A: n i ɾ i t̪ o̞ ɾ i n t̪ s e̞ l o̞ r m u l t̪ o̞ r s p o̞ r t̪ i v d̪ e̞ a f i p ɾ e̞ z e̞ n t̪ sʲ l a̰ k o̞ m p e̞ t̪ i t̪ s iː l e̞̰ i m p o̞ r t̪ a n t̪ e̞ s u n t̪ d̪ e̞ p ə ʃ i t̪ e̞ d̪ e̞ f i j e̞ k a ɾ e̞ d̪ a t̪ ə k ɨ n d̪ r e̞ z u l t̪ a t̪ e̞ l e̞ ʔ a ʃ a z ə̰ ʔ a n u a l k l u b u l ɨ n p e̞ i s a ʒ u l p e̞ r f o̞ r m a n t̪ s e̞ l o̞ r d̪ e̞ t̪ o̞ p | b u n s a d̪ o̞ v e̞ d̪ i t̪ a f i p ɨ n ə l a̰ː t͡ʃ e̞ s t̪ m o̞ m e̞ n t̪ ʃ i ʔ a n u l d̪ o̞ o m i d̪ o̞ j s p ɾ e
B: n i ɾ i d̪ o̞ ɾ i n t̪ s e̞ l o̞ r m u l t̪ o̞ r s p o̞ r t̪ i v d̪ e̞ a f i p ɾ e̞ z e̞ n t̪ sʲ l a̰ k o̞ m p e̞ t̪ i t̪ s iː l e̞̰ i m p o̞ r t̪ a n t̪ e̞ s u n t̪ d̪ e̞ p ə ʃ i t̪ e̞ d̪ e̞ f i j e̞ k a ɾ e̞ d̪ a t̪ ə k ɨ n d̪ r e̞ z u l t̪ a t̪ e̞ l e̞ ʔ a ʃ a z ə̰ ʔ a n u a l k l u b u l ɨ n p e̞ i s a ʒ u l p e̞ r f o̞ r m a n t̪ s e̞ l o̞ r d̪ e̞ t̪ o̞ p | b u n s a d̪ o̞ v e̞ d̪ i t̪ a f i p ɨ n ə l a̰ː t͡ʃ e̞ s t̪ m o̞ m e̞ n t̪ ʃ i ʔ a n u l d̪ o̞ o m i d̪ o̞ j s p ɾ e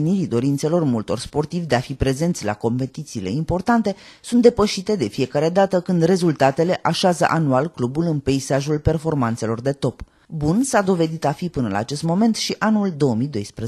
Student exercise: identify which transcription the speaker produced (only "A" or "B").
B